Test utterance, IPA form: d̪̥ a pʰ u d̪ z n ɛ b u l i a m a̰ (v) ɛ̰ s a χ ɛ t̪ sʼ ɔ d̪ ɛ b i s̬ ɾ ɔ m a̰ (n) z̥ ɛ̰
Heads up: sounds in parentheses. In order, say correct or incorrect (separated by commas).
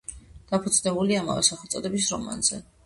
correct, correct